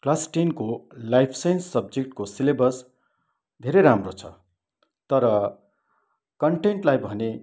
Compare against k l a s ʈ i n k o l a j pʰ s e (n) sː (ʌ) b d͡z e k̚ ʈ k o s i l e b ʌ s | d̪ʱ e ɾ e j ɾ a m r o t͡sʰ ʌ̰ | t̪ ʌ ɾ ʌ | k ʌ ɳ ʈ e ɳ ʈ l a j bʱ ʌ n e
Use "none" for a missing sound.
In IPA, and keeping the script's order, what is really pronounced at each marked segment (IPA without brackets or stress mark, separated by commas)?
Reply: n, ʌ